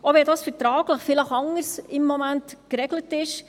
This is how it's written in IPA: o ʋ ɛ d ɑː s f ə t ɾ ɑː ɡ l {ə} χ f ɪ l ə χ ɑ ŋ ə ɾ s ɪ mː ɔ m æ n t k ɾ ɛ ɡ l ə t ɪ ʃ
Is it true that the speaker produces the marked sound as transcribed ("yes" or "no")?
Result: yes